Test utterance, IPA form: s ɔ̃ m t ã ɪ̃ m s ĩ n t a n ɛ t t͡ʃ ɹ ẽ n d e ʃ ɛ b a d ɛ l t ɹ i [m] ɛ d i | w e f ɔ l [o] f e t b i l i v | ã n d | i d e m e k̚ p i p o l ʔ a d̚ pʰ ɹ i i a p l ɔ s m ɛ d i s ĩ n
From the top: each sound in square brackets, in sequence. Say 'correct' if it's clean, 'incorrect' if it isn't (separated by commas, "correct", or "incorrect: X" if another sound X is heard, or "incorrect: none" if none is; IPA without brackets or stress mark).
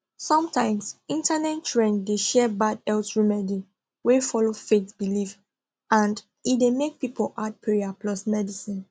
correct, correct